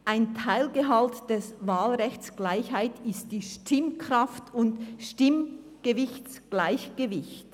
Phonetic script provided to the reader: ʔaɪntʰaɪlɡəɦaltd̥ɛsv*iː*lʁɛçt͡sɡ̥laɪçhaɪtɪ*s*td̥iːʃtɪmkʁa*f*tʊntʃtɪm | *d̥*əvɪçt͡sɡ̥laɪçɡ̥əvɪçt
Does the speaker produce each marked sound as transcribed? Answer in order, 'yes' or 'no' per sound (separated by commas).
no, yes, yes, no